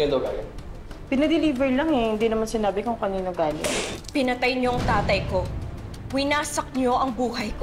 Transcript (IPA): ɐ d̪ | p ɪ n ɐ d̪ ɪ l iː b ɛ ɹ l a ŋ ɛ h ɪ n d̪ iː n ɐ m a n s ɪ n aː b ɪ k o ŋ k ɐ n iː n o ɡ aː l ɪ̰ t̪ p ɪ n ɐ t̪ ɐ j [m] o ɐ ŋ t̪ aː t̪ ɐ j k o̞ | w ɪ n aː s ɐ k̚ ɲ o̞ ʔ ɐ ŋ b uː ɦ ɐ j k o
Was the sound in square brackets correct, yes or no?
no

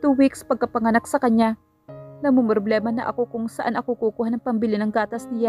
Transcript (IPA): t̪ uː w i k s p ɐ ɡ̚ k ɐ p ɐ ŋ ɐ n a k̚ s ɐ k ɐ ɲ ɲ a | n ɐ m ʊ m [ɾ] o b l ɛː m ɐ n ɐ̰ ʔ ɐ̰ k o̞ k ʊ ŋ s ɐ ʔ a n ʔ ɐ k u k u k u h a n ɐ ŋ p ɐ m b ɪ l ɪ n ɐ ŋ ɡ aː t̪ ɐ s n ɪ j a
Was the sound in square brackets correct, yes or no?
yes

